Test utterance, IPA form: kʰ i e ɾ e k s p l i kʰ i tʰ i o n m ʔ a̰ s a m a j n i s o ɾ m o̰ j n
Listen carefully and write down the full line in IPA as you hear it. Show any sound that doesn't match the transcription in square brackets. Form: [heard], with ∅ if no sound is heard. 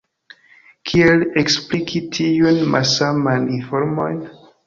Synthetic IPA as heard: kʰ i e [l] e k s p l i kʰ i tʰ i [u] n m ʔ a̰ s a m a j n i [f] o ɾ m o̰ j n